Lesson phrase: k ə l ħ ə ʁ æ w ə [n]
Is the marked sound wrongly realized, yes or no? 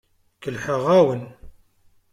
no